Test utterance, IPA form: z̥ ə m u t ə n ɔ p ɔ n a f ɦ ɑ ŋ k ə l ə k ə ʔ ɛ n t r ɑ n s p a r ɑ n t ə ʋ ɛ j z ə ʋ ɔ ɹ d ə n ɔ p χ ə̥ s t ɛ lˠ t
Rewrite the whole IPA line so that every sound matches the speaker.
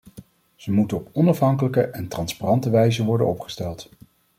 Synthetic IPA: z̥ ə m u t ə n ɔ p ɔ n ɑ f ɦ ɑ ŋ k ə l ə k ə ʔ ɛ n t r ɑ n s p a r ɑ n t ə ʋ ɛ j z ə ʋ ɔ ɹ d ə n ɔ p χ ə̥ s t ɛ lˠ t